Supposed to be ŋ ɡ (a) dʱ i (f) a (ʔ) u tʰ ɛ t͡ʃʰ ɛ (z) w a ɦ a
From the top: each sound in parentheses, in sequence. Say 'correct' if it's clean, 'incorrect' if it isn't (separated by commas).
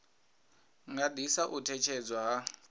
correct, incorrect, correct, incorrect